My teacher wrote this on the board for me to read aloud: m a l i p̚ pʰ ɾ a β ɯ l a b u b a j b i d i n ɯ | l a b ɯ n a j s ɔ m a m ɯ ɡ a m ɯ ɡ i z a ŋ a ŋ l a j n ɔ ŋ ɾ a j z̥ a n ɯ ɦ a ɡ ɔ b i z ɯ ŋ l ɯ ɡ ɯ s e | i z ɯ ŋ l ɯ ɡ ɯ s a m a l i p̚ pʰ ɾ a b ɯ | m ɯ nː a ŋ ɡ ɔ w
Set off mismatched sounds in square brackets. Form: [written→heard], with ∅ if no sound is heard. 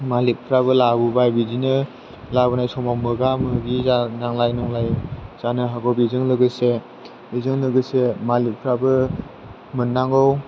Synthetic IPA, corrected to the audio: m a l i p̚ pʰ ɾ a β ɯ l a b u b a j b i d i n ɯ | l a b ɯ n a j s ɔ m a m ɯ ɡ a m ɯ ɡ i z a [ŋ→n] a ŋ l a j n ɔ ŋ [ɾ→l] a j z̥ a n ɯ ɦ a ɡ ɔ b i z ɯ ŋ l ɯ ɡ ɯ s e | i z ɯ ŋ l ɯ ɡ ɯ s [a→e] m a l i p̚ pʰ ɾ a b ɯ | m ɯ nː a ŋ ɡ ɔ w